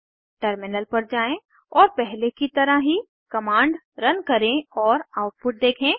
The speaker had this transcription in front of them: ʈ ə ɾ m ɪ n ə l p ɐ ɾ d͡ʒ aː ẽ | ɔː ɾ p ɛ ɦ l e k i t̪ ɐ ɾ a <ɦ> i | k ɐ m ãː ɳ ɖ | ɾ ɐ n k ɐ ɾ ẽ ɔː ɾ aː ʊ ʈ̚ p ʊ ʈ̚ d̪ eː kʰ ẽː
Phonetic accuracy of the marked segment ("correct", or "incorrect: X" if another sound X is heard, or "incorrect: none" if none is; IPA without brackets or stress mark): correct